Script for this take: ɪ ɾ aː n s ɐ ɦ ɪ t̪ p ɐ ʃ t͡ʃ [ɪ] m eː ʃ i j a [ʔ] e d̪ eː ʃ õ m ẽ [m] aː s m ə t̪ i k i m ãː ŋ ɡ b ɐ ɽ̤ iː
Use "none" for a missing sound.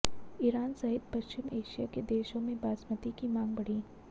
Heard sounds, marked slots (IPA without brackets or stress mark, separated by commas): ɪ, k, b